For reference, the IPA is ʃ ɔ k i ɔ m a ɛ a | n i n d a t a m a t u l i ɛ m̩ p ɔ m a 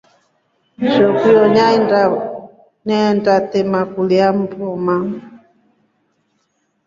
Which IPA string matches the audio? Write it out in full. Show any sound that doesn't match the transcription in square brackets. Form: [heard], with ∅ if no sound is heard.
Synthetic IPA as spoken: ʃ ɔ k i ɔ [ɲ] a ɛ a | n [ɛ] n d a t [ɛ] m a [k] u l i [a] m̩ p ɔ m a